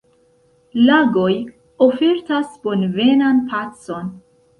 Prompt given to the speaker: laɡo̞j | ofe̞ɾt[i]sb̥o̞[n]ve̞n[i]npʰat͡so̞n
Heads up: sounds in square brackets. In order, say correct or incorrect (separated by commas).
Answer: incorrect, correct, incorrect